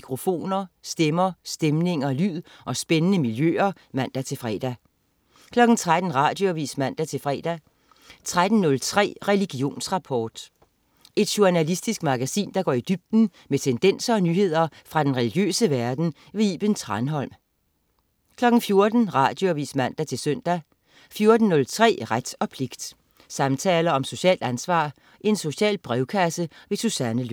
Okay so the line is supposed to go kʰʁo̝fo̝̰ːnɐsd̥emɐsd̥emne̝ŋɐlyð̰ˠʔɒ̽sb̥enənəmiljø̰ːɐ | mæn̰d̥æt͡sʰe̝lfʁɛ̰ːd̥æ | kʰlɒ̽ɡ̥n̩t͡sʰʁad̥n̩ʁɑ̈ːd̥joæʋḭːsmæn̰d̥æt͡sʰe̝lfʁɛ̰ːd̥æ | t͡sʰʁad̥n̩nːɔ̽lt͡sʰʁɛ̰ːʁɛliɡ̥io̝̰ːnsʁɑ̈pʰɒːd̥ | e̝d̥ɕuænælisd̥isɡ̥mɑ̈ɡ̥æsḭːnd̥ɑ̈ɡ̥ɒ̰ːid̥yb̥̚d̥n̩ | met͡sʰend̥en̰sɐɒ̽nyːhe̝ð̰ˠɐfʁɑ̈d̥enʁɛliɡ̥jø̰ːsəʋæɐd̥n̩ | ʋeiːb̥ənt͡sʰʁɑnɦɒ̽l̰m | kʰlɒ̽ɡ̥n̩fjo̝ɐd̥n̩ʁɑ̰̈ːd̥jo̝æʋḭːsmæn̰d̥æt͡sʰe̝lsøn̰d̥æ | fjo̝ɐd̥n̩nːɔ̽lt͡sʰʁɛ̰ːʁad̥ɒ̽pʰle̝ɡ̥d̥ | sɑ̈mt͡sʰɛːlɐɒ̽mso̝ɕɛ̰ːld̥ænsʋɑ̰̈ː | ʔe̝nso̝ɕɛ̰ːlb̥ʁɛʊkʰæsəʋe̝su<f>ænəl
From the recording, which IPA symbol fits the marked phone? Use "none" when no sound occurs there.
s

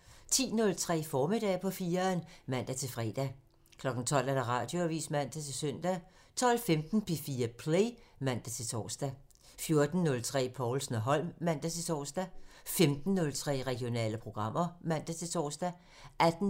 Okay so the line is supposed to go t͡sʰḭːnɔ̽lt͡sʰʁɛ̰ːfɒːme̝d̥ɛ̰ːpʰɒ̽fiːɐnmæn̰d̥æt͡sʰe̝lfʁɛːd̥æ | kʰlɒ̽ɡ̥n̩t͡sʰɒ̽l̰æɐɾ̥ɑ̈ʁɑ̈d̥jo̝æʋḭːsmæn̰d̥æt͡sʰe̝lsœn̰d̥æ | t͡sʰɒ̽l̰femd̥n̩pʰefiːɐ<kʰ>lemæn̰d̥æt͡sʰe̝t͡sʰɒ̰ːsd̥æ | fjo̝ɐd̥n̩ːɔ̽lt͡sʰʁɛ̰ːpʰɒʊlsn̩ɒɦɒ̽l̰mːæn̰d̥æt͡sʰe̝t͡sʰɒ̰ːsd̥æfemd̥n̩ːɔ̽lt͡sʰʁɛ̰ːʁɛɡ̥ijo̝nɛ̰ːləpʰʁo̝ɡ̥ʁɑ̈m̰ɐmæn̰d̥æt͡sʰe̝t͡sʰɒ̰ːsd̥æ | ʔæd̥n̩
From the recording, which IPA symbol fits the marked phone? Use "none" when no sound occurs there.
pʰ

